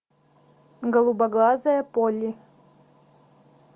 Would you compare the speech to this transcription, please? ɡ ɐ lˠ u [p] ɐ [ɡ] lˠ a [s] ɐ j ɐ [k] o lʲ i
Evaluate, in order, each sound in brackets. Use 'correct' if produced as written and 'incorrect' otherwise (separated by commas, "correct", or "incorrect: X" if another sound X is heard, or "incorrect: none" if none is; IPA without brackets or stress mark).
incorrect: b, correct, incorrect: z, incorrect: p